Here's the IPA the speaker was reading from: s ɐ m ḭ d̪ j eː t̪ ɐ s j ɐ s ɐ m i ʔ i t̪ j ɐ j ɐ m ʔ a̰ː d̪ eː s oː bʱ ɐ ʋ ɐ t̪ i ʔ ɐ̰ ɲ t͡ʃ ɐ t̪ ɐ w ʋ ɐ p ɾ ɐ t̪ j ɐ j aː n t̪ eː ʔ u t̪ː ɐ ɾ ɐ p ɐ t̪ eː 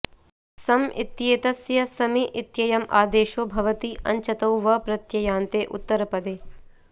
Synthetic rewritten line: s ɐ m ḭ t̪ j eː t̪ ɐ s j ɐ s ɐ m i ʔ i t̪ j ɐ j ɐ m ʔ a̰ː d̪ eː ʃ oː bʱ ɐ ʋ ɐ t̪ i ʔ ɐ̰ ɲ t͡ʃ ɐ t̪ ɐ w ʋ ɐ p ɾ ɐ t̪ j ɐ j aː n t̪ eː ʔ u t̪ː ɐ ɾ ɐ p ɐ d̪ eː